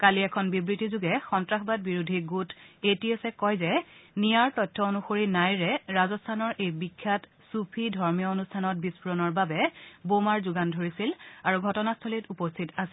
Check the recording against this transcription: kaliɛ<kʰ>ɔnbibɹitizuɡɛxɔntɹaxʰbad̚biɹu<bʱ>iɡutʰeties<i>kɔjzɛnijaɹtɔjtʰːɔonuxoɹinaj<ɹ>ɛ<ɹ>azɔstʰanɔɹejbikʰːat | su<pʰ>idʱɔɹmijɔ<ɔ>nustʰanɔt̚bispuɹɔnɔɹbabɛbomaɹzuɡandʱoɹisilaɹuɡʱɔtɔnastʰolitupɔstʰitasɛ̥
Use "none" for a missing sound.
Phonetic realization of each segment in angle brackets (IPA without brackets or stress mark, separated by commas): kʰ, dʱ, ɛ, ɹ, ɹ, pʰ, o